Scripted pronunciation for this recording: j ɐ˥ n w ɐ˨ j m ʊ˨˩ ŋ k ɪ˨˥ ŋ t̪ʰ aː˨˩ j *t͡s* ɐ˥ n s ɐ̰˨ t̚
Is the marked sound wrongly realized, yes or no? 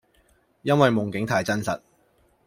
no